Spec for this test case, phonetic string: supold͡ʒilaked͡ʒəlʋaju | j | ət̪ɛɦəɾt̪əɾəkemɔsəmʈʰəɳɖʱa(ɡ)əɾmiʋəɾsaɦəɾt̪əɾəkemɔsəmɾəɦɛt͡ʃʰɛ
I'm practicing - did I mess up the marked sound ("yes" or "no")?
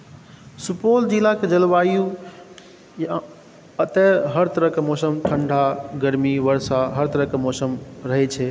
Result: no